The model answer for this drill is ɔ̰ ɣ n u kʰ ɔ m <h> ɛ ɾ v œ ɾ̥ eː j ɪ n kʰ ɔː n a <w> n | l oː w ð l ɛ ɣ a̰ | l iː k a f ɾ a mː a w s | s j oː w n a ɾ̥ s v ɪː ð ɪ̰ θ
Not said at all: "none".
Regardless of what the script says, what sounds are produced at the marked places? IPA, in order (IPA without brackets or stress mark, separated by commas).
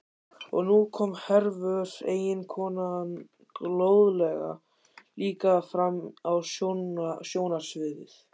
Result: h, none